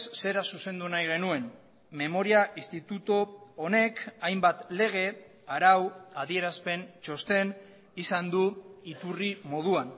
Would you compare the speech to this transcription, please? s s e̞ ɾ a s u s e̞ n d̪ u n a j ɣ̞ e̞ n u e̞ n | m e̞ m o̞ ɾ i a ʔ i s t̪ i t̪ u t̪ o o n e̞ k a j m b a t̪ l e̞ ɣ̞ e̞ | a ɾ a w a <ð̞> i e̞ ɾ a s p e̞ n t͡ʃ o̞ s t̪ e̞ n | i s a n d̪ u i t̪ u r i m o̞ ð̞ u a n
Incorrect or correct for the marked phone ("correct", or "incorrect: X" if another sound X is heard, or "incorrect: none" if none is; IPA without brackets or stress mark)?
correct